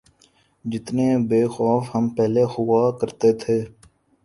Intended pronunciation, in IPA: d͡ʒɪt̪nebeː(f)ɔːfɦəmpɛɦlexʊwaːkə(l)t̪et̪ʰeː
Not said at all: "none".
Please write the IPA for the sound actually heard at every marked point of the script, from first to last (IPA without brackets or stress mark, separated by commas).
x, ɾ